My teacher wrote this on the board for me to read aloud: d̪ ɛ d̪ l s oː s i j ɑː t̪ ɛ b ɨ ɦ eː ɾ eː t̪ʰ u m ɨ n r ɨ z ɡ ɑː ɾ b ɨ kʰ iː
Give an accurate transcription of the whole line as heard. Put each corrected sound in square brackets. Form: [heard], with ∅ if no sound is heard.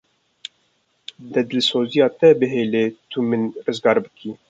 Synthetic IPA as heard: d̪ ɛ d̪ l s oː [z] i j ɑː t̪ ɛ b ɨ ɦ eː [l] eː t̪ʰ u m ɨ n r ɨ z ɡ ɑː ɾ b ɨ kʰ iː